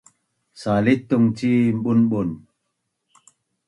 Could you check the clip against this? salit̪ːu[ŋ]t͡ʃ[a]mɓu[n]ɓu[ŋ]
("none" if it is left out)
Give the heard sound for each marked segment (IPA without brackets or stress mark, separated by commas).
ŋ, i, n, n